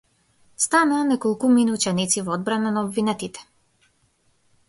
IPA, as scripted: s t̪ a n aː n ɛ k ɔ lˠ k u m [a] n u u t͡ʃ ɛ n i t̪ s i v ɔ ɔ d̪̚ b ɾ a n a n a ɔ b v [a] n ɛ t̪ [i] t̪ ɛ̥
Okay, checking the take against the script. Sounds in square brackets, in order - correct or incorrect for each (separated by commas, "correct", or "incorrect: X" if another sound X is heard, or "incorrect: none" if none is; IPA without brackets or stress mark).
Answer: incorrect: i, incorrect: i, correct